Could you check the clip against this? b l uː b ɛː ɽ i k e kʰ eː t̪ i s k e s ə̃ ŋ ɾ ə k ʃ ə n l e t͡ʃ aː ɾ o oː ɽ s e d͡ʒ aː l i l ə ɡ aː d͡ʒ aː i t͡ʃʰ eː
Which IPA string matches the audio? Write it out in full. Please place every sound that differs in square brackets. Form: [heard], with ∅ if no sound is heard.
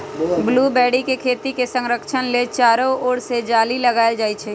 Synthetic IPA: b l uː b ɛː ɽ i k e kʰ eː t̪ i [∅] k e s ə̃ ŋ ɾ ə k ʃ ə n l e t͡ʃ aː ɾ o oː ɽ s e d͡ʒ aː l i l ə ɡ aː d͡ʒ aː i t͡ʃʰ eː